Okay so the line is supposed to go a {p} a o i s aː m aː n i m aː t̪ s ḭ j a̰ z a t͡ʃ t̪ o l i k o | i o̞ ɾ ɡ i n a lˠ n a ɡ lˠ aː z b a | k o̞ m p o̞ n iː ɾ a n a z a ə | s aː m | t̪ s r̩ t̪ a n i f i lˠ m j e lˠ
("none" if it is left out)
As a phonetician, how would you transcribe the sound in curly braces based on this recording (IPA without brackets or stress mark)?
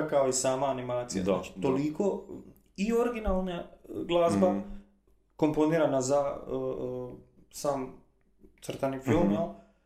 k